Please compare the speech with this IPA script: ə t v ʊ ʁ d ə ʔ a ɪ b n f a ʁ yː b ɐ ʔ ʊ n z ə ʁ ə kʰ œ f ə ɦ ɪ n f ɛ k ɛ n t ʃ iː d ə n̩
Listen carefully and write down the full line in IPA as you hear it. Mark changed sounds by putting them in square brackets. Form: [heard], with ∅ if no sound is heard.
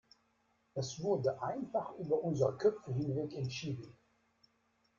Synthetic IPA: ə [s] v ʊ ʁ d ə ʔ a ɪ [∅] n f a [χ] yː b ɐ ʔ ʊ n z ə ʁ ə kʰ œ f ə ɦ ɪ n [v] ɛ k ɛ n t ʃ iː d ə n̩